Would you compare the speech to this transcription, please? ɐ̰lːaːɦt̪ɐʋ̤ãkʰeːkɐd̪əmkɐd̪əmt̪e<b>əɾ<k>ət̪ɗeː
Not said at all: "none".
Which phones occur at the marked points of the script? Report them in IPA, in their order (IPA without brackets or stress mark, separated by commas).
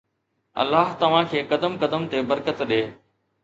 b, k